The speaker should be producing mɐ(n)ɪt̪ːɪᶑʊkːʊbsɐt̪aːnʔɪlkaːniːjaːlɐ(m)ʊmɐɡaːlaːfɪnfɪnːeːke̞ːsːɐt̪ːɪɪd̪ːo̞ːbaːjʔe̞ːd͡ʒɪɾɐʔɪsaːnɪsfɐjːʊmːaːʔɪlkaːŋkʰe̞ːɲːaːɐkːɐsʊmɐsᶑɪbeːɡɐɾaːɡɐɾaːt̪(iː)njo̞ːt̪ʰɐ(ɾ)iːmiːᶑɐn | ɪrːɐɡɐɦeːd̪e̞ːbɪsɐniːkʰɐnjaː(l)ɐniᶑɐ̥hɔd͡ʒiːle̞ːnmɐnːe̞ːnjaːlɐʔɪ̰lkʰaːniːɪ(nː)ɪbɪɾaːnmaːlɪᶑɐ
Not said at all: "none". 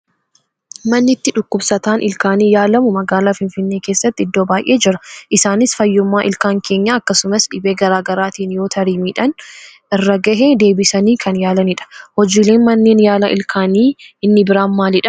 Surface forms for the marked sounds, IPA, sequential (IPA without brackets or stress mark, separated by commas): nː, m, iː, ɾ, l, nː